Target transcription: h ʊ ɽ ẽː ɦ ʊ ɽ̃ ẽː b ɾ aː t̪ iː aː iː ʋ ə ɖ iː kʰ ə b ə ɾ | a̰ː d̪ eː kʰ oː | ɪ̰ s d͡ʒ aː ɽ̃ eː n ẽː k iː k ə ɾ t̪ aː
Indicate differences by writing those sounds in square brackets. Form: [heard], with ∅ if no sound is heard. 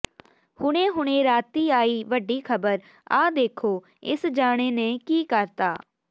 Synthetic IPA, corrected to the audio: h ʊ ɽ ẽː ɦ ʊ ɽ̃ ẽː [∅] ɾ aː t̪ iː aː iː ʋ ə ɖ iː kʰ ə b ə ɾ | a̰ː d̪ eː kʰ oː | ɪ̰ s d͡ʒ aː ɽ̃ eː n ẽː k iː k ə ɾ t̪ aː